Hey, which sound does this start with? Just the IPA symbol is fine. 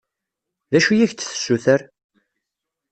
ð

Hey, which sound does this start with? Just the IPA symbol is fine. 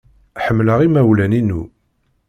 ħ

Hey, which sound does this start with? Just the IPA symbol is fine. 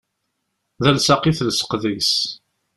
ð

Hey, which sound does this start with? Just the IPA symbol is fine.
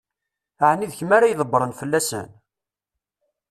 ʕ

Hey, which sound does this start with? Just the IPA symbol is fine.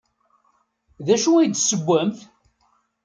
ð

